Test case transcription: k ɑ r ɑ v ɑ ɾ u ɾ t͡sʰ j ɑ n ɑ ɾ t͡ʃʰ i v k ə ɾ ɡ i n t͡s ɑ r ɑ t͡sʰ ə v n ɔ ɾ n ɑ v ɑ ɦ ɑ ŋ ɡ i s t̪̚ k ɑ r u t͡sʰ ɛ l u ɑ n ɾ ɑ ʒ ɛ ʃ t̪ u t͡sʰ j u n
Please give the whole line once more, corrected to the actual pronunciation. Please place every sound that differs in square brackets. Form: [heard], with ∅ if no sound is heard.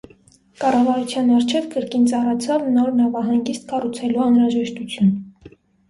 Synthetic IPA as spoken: k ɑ r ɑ v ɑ ɾ u [∅] t͡sʰ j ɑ n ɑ ɾ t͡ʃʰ [ɛ] v k ə ɾ [k] i n t͡s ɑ r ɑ t͡sʰ [ɑ] v n ɔ ɾ n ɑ v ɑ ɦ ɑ ŋ ɡ i s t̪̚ k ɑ r u t͡sʰ ɛ l u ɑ n ɾ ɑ ʒ ɛ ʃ t̪ u t͡sʰ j u n

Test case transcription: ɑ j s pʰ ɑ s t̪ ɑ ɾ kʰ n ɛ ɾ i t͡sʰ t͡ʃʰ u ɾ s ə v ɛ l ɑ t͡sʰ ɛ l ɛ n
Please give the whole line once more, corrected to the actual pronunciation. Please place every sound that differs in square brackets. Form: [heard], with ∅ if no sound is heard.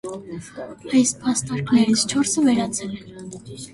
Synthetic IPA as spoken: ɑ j s pʰ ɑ s t̪ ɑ ɾ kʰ n ɛ ɾ i t͡sʰ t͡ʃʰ [ɔ] ɾ s ə v ɛ [ɾ] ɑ t͡sʰ ɛ l ɛ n

